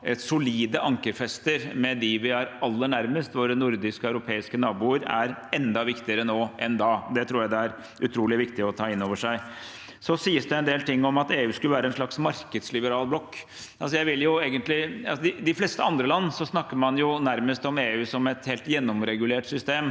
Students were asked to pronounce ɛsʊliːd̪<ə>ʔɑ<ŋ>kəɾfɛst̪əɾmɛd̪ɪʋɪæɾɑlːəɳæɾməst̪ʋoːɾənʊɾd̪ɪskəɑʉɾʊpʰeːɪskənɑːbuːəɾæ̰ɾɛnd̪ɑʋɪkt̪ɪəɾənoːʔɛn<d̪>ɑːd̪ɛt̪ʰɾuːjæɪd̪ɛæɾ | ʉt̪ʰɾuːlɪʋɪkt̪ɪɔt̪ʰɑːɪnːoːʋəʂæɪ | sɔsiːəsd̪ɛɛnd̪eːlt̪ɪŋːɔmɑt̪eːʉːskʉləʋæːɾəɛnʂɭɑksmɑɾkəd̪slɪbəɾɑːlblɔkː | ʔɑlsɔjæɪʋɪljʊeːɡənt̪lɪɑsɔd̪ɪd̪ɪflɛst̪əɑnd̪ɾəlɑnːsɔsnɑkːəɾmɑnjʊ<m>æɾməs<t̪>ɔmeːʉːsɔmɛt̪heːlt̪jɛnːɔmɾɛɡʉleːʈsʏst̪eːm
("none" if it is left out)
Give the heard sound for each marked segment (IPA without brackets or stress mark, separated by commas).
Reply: ə, ŋ, d̪, n, t̪